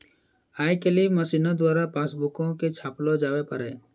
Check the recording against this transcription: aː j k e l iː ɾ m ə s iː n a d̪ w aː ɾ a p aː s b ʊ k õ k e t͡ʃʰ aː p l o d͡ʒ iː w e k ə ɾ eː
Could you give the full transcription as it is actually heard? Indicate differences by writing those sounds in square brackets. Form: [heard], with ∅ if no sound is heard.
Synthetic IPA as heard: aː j k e l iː [∅] m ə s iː n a d̪ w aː ɾ a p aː s b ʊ k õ k e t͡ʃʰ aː p l o d͡ʒ [aː] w e [p] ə ɾ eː